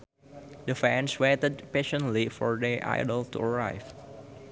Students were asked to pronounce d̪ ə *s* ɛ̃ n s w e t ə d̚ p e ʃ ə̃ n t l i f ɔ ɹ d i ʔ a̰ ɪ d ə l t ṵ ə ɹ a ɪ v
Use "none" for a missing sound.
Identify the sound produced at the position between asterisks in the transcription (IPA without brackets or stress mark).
f